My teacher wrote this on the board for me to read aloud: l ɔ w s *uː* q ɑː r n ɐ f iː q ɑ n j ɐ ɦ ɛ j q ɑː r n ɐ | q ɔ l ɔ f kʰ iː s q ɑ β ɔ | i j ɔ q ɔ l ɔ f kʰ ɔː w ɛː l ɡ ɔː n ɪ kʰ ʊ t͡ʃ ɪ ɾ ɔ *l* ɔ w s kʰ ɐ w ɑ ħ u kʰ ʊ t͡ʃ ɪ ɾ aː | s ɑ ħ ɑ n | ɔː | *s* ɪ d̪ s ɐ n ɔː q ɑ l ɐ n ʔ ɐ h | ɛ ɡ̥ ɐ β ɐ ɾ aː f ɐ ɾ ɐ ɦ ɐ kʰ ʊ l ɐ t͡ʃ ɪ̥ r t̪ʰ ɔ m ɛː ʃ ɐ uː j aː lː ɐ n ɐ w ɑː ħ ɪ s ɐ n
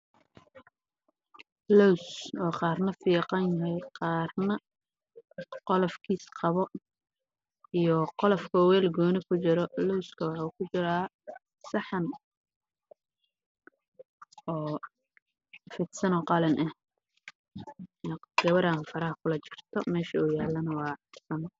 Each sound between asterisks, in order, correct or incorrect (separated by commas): incorrect, correct, incorrect